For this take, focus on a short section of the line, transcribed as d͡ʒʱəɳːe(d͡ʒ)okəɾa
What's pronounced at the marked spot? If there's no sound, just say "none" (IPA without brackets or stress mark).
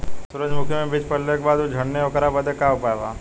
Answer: none